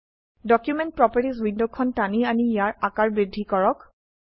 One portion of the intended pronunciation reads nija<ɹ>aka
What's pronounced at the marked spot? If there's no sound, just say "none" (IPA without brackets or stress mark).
ɹ